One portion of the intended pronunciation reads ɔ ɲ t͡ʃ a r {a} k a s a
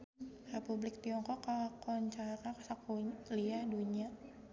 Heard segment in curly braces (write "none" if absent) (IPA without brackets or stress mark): a